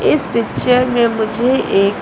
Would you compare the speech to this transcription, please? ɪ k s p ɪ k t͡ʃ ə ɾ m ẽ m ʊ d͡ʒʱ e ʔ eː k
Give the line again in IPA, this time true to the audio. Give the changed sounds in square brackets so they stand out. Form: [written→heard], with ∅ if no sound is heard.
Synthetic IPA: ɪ [k→∅] s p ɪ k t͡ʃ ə ɾ m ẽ m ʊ d͡ʒʱ e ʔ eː k